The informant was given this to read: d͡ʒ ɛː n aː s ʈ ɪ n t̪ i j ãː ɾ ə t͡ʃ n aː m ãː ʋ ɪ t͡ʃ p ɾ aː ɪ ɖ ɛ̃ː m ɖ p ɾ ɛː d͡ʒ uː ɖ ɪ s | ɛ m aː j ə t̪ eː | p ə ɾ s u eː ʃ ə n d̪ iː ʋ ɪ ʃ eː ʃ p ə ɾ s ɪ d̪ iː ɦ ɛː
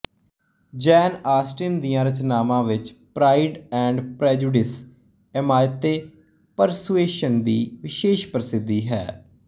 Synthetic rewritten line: d͡ʒ ɛː n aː s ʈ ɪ n d̪ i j ãː ɾ ə t͡ʃ n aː m ãː ʋ ɪ t͡ʃ p ɾ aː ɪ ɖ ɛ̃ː ɳ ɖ p ɾ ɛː d͡ʒ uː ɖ ɪ s | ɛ m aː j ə t̪ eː | p ə ɾ s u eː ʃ ə n d̪ iː ʋ ɪ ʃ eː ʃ p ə ɾ s ɪ d̪ iː ɦ ɛː